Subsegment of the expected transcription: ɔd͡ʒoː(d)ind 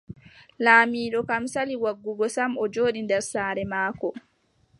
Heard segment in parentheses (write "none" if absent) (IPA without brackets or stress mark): ɗ